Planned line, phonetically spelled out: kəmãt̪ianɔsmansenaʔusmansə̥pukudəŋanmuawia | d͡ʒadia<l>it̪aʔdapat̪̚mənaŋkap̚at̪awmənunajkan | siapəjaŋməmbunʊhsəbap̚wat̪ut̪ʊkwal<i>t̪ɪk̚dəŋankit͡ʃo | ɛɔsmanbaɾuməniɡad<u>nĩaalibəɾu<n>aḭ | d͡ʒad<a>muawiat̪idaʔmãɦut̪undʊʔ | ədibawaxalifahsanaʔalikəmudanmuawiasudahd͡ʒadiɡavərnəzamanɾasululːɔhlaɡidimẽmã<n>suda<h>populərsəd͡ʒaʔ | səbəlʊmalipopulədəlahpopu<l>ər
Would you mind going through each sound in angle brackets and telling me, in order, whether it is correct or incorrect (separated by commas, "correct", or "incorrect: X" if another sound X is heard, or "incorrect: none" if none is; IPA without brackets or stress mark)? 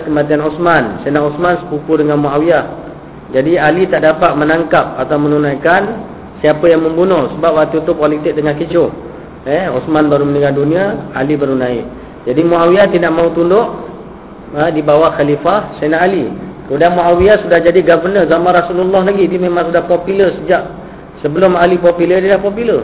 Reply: correct, correct, correct, correct, incorrect: i, incorrect: ŋ, correct, correct